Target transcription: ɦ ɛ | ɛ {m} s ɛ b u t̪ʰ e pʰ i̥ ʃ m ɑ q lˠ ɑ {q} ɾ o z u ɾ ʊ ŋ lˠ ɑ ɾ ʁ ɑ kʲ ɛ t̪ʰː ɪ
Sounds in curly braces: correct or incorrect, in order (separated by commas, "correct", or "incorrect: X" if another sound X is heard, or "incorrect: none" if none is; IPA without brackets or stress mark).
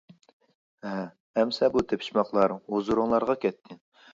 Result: correct, incorrect: none